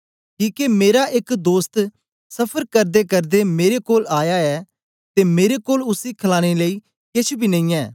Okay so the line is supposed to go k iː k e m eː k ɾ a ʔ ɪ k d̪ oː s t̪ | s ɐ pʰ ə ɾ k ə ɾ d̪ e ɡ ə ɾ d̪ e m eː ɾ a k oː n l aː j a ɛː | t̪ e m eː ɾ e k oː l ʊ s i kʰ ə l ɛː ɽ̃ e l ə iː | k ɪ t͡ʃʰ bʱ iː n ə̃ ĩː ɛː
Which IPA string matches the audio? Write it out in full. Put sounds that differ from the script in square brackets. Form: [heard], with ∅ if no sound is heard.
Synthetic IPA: k iː k e m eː [∅] ɾ a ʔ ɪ k d̪ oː s t̪ | s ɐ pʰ ə ɾ k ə ɾ d̪ e [k] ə ɾ d̪ e m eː ɾ [e] k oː [∅] l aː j a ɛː | t̪ e m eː ɾ e k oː l ʊ s i kʰ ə l [aː] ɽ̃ e l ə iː | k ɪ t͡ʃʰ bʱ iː n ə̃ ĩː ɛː